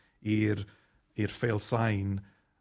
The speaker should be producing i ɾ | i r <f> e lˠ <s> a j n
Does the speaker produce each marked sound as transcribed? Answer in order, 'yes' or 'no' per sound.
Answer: yes, yes

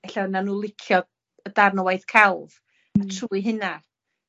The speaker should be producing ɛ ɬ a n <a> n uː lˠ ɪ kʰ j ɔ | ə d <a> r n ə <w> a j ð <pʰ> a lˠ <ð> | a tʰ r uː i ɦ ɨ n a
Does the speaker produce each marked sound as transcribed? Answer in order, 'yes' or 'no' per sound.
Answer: yes, yes, yes, no, no

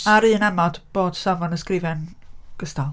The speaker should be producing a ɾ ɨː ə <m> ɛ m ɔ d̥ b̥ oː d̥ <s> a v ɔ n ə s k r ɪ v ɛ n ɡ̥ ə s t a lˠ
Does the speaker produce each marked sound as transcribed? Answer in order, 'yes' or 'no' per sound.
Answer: no, yes

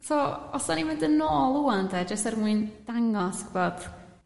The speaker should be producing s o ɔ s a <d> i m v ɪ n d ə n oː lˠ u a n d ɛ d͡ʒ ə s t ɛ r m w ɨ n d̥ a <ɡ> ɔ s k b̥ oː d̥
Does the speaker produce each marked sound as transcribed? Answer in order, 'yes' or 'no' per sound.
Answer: no, no

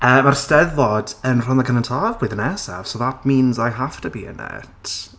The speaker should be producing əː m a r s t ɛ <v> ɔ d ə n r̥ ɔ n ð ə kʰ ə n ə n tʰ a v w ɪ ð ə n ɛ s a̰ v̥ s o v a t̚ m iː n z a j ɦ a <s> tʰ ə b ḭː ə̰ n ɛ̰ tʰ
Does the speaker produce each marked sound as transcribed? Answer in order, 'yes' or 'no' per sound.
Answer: no, no

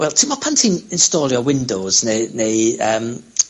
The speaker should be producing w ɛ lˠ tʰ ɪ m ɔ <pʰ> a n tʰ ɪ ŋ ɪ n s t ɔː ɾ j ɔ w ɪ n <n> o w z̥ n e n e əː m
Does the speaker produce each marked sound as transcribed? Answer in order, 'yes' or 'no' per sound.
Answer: yes, no

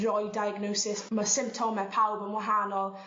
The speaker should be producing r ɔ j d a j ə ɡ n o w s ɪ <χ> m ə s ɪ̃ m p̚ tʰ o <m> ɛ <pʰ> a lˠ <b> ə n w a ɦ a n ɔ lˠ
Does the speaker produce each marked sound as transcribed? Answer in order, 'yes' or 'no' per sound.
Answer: no, yes, yes, yes

